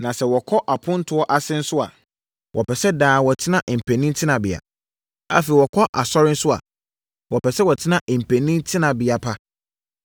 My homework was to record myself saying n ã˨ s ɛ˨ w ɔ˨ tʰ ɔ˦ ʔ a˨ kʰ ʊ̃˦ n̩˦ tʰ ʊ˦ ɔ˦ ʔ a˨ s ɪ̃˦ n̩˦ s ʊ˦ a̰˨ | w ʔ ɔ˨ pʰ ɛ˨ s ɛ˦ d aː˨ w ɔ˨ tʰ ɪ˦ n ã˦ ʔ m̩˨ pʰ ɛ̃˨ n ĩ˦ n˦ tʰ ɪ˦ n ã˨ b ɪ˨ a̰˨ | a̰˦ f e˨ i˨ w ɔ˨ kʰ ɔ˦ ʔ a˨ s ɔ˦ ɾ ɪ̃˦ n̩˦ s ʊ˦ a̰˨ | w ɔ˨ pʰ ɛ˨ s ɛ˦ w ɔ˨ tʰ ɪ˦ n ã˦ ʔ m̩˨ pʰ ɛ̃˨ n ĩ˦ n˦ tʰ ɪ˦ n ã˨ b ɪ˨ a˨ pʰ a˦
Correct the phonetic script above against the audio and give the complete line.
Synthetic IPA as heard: n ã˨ s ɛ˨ w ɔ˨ kʰ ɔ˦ ʔ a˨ pʰ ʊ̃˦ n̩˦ tʰ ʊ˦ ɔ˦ ʔ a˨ s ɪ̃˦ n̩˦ s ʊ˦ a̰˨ | w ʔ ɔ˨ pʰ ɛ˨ s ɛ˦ d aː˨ w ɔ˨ tʰ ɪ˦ n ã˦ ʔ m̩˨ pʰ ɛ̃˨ n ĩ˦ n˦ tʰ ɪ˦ n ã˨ b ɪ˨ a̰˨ | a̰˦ f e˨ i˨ w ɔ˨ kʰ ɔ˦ ʔ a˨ s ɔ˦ ɾ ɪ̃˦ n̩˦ s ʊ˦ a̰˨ | w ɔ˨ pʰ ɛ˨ s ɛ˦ w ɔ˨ tʰ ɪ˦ n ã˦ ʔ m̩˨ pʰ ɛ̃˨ n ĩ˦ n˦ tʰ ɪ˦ n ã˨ b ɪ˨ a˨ pʰ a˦